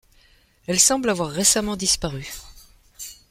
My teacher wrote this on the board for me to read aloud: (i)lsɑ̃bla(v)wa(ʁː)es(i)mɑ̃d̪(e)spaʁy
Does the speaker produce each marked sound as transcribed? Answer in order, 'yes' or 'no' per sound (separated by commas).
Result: no, yes, yes, no, no